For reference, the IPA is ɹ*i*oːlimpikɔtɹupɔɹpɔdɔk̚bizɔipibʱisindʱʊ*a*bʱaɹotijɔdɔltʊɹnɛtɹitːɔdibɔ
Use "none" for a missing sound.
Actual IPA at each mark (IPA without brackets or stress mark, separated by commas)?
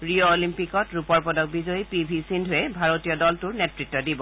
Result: i, ɛ